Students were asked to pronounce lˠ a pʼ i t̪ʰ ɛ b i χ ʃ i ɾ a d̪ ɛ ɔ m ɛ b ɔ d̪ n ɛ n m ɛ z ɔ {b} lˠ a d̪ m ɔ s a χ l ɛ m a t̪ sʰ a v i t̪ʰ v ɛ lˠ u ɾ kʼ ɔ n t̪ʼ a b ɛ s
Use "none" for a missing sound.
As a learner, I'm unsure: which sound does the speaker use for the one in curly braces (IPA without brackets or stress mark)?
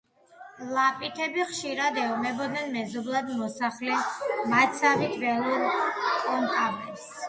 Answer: b